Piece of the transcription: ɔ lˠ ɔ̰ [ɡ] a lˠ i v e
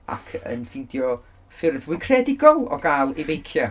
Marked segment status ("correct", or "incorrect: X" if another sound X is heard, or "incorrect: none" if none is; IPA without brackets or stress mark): correct